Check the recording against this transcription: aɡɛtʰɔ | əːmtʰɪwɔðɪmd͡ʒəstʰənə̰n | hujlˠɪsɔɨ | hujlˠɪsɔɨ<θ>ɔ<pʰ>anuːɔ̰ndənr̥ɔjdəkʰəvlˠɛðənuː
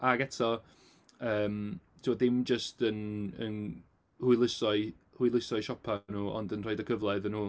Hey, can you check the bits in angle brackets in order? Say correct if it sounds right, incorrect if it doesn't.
incorrect: ʃ, correct

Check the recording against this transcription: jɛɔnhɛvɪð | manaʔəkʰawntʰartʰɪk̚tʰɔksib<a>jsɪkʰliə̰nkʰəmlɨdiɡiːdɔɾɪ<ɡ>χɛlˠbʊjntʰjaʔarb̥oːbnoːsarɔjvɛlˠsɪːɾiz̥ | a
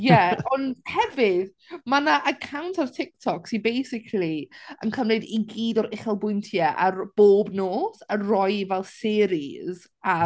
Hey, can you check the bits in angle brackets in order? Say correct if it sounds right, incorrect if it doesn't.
incorrect: e, incorrect: none

